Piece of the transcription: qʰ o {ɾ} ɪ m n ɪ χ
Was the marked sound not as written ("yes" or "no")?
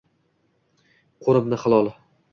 no